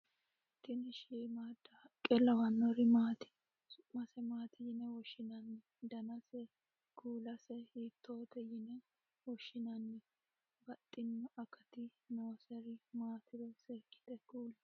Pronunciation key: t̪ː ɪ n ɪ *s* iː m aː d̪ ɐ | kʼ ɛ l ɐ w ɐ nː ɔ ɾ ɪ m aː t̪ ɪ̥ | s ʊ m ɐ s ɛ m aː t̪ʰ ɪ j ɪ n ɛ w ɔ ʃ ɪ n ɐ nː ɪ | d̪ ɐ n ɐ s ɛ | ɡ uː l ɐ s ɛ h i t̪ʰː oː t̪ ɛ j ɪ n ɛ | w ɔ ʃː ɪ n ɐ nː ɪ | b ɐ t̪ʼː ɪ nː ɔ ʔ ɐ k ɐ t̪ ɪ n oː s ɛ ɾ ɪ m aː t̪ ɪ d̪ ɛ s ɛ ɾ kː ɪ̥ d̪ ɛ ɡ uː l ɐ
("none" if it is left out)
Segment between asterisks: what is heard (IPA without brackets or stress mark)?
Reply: ʃ